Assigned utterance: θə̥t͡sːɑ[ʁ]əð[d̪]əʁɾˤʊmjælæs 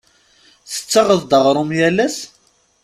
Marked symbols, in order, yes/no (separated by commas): yes, yes